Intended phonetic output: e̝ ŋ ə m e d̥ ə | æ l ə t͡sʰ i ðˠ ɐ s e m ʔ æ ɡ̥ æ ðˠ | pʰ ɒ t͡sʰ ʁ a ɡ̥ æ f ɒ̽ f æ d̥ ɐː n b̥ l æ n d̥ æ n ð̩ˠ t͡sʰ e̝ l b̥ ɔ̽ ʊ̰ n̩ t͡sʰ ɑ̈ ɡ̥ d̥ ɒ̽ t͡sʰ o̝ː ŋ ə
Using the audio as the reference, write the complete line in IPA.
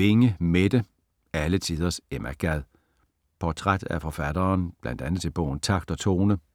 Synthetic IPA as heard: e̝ ŋ ə m e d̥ ə | æ l ə t͡sʰ i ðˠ ɐ s e m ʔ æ ɡ̥ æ ðˠ | pʰ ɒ t͡sʰ ʁ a d̥ æ f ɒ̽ f æ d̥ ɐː n b̥ l æ n d̥ æ n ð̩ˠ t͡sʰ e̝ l b̥ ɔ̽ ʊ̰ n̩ t͡sʰ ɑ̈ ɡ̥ d̥ ɒ̽ t͡sʰ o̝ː n ə